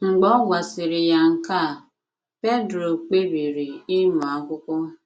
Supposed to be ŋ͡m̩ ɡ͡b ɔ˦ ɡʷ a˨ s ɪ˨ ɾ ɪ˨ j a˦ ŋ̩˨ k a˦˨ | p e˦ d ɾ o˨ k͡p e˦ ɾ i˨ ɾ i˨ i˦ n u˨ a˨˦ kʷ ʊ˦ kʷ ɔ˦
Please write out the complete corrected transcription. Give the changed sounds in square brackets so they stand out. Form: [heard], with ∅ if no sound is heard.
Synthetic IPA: ŋ͡m̩ ɡ͡b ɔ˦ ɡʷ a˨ s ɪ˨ ɾ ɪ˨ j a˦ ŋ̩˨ k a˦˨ | p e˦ d ɾ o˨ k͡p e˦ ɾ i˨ ɾ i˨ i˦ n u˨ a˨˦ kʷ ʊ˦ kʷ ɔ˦